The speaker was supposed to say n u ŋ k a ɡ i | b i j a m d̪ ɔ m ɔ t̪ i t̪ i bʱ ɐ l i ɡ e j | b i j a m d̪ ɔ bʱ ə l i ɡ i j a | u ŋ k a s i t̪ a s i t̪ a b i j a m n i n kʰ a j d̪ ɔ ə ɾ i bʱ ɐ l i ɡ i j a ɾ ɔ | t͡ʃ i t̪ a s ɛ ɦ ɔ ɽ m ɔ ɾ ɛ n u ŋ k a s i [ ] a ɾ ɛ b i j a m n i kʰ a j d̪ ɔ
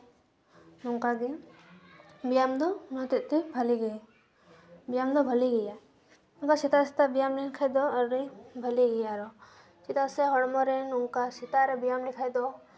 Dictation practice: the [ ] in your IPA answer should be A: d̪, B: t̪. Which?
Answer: B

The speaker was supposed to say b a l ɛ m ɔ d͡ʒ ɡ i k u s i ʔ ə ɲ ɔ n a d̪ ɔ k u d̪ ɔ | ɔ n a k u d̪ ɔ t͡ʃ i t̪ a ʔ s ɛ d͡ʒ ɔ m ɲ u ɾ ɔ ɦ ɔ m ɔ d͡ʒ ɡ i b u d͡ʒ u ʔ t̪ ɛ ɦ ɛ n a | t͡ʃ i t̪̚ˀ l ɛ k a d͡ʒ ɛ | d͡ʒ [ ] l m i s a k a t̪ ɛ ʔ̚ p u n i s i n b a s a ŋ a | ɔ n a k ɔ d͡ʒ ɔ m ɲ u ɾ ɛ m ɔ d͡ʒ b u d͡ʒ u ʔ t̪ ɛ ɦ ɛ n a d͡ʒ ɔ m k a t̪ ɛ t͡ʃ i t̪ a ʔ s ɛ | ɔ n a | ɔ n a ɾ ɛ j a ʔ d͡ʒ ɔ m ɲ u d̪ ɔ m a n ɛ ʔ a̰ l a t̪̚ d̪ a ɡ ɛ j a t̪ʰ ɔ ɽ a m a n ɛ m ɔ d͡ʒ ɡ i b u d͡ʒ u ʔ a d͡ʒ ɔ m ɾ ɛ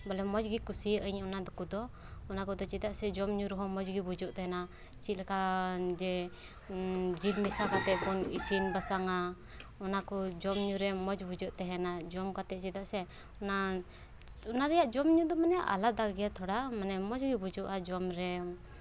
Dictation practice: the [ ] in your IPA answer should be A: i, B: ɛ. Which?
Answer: A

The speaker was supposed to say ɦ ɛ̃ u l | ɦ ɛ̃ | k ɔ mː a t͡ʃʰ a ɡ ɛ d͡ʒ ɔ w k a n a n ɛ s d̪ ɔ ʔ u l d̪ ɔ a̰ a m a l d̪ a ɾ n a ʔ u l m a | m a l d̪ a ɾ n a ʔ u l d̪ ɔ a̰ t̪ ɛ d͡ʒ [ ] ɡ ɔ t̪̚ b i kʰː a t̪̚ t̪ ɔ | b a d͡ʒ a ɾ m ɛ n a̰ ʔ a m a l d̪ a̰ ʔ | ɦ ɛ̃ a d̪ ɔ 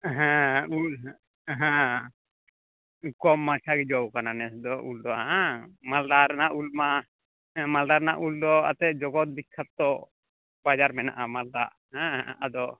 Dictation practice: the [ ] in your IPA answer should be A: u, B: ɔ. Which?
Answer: B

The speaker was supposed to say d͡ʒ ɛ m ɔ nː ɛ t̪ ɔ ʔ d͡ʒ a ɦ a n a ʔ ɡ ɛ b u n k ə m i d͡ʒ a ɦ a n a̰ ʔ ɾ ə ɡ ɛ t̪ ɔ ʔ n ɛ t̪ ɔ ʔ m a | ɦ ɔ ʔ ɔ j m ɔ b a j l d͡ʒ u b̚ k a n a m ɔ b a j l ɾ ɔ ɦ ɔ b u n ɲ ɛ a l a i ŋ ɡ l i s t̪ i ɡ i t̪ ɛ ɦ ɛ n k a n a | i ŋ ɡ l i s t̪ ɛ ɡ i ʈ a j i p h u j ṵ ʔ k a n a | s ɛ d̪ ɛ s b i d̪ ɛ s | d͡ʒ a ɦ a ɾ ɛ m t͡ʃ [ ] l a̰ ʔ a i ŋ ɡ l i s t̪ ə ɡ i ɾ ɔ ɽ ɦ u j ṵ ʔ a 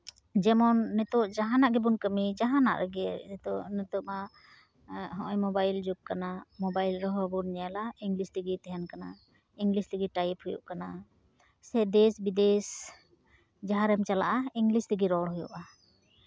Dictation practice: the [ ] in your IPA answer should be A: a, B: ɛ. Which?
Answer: A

